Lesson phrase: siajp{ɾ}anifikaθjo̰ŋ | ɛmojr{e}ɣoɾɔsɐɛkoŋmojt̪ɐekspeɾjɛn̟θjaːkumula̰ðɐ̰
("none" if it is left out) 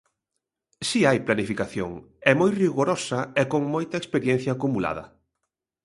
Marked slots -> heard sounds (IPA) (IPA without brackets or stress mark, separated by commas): l, i